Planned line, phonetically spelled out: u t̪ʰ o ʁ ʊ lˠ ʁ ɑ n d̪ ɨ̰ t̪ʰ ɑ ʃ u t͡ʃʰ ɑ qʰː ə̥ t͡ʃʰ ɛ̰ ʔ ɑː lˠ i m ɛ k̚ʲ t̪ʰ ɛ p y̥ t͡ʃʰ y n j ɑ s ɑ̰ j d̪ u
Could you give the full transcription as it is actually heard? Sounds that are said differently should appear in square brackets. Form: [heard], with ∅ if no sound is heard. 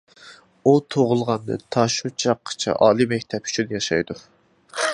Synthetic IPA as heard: u t̪ʰ o ʁ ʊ lˠ ʁ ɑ n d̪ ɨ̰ t̪ʰ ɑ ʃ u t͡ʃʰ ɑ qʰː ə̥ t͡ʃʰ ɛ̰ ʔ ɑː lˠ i m ɛ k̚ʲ t̪ʰ ɛ p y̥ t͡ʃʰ y n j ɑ [ʃ] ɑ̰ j d̪ u